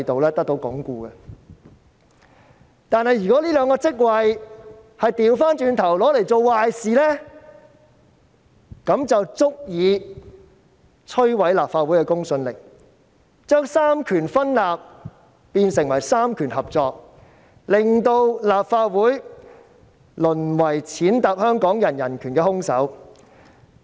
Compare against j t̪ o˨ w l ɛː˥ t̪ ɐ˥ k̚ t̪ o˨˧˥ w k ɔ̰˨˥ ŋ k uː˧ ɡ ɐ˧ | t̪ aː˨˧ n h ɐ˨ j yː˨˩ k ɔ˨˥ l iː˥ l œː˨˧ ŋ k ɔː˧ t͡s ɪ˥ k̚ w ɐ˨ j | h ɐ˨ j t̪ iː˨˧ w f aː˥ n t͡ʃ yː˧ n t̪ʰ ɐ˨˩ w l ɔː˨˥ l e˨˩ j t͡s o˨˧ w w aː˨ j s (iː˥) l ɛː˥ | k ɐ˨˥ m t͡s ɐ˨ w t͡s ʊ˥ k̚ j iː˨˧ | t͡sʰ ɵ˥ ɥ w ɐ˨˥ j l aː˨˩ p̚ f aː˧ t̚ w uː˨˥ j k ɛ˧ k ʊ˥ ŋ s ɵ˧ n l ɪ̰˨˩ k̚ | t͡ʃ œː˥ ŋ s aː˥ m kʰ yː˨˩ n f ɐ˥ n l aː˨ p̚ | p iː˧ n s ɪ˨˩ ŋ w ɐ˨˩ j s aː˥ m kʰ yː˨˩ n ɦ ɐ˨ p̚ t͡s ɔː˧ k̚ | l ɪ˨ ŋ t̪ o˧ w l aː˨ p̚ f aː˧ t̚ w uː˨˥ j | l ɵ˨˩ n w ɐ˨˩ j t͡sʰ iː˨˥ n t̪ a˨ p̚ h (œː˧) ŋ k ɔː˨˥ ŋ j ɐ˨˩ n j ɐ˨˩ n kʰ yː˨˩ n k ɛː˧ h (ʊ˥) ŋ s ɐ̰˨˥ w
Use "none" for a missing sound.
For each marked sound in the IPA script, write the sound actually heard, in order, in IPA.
iː˨, œː˥, ʊ˥

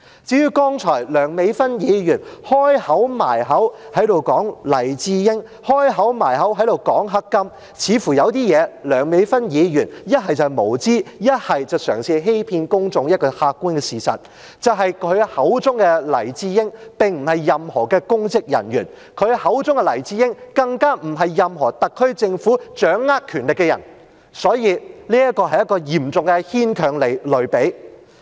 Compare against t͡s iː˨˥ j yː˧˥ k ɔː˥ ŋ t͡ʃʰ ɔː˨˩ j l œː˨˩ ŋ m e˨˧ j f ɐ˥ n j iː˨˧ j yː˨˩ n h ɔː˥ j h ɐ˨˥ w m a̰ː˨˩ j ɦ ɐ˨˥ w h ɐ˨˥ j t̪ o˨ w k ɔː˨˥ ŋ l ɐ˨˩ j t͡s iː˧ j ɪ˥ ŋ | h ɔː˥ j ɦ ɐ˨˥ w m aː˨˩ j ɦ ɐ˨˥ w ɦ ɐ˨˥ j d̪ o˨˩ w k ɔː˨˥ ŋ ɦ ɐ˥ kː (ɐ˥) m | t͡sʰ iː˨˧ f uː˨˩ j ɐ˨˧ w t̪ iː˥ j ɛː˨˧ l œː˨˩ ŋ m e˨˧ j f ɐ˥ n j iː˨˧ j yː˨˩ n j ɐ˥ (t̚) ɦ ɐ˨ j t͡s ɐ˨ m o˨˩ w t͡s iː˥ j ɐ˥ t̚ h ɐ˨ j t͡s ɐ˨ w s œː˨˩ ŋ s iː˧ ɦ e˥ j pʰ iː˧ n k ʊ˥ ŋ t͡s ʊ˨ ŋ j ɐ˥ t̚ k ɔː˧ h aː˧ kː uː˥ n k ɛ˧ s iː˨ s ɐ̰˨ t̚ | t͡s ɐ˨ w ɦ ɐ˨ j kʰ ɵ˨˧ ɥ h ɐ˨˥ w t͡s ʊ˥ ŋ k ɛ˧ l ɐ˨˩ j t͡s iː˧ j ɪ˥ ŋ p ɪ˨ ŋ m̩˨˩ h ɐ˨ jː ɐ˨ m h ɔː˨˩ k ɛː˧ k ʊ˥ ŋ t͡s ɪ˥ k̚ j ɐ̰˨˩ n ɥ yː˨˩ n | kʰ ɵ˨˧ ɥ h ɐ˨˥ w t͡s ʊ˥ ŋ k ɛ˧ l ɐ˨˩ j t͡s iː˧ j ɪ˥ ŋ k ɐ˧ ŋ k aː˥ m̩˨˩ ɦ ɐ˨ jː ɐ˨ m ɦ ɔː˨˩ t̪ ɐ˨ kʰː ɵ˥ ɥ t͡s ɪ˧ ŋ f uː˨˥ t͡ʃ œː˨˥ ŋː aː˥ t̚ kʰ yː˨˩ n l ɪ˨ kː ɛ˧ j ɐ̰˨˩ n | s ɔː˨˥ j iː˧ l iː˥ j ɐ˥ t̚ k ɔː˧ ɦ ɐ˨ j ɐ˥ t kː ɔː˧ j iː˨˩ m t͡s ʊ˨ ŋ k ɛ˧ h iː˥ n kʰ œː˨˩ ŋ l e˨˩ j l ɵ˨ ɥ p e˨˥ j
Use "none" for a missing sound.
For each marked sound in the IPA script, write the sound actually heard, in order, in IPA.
ɐ˥, t̚

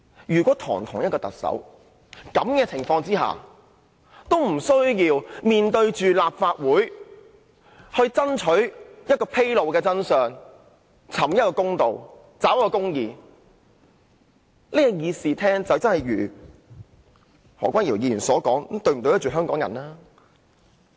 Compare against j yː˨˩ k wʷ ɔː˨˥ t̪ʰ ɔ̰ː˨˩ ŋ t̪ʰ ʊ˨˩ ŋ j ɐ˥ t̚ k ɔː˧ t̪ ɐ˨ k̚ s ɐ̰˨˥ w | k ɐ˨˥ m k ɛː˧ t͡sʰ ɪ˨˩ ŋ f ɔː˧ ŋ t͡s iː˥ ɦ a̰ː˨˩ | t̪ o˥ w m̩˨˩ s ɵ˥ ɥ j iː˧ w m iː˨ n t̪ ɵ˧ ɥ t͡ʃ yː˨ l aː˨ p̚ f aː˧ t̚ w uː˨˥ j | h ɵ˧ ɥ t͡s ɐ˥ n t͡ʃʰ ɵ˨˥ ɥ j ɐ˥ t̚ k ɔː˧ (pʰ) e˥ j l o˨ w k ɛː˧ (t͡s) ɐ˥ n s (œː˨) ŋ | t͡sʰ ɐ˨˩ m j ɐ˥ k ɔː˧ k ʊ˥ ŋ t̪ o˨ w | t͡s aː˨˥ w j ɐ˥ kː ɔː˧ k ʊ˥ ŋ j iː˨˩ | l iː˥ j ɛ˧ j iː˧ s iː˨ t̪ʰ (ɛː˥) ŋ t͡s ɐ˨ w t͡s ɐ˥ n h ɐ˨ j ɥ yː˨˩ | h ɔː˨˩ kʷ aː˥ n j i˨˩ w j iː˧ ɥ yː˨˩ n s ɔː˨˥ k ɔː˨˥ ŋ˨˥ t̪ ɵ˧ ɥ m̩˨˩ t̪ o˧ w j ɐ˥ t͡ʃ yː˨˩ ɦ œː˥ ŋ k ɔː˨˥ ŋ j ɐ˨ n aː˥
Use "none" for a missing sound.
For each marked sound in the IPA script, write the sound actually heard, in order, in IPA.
pʰ, t͡s, œː˨, ɛː˥

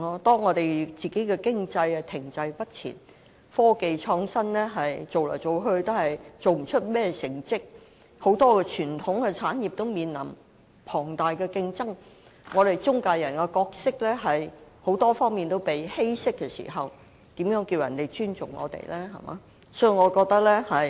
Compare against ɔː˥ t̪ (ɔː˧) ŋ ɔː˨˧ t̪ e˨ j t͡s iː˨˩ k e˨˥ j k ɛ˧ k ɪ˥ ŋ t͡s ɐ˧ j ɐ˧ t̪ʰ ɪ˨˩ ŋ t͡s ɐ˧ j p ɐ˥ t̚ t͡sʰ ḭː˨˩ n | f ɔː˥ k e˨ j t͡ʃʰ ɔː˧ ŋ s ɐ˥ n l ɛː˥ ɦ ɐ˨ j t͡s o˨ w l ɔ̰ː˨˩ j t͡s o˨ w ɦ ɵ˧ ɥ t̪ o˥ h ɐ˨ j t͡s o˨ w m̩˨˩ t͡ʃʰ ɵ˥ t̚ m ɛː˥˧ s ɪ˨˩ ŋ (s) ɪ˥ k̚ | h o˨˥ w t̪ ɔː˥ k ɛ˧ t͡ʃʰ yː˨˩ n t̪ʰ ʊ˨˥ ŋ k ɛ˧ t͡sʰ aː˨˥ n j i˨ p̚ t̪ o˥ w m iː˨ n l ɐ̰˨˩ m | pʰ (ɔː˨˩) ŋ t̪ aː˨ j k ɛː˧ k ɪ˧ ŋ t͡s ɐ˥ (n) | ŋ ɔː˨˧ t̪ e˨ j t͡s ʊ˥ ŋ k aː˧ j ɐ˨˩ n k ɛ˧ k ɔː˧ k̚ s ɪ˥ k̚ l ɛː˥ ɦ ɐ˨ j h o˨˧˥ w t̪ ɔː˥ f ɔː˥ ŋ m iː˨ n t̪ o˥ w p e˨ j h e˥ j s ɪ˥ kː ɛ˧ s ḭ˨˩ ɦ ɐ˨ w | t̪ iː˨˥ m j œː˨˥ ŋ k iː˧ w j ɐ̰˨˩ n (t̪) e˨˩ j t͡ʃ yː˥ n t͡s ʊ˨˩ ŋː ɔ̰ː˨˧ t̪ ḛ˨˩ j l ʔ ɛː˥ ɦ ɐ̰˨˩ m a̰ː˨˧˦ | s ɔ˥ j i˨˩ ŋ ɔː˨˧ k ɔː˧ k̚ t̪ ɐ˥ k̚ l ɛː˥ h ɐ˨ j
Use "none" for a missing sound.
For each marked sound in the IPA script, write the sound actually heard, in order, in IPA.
ɔː˥, t͡s, ɔː˨˩, ŋ, t̪

